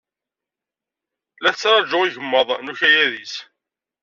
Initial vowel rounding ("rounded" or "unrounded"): unrounded